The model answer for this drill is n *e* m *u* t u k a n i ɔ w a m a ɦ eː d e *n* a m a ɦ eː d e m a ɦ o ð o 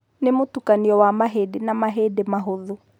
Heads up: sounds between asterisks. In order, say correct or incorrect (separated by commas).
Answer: correct, incorrect, correct